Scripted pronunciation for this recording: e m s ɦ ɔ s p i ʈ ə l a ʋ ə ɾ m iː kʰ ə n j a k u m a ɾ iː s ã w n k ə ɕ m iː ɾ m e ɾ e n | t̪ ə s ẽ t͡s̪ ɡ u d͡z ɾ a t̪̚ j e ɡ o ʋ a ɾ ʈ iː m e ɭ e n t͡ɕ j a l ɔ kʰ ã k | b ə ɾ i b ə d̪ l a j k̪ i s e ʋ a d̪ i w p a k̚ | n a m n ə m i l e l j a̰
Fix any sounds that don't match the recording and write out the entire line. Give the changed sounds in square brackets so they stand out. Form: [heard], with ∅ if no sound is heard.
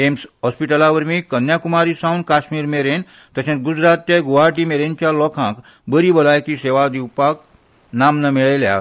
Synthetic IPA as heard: e m s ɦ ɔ s p i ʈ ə l a ʋ ə ɾ m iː [k] ə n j a k u m a ɾ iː s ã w n k [a] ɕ m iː ɾ m e ɾ e n | t̪ ə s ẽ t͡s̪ ɡ u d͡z ɾ a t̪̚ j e ɡ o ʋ a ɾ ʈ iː m e [ɾ] e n t͡ɕ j a l ɔ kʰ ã k | b ə ɾ i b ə [∅] l a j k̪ i s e ʋ a d̪ i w p a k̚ | n a m n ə m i [ɭ] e l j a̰